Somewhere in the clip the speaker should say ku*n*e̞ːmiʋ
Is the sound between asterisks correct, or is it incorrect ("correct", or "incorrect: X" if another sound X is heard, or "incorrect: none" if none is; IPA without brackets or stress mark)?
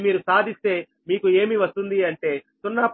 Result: incorrect: none